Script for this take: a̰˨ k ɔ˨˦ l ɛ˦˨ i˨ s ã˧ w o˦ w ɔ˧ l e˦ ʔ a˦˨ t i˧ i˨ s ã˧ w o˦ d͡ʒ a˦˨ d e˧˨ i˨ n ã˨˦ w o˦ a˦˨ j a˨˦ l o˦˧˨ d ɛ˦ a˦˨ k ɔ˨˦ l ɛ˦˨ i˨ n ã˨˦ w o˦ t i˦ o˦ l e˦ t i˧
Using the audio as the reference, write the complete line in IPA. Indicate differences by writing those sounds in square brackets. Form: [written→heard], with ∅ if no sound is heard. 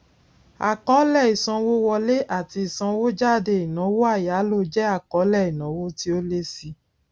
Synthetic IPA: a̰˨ k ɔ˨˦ l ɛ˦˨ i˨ s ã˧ w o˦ w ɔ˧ l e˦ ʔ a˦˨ t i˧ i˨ s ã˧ w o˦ d͡ʒ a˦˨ d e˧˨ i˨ n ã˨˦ w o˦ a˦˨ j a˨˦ l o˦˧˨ [d→d͡ʒ] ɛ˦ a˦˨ k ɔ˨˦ l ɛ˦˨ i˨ n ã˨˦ w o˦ t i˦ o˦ l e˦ [t→s] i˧